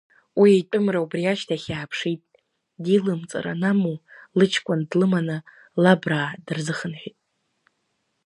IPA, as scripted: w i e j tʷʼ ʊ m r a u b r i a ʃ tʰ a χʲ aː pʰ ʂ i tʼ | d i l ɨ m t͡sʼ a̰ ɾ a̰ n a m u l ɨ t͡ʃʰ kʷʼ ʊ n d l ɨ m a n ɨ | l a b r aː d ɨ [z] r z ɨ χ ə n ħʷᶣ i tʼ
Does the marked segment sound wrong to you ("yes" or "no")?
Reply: yes